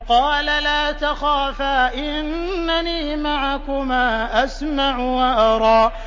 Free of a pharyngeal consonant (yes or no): no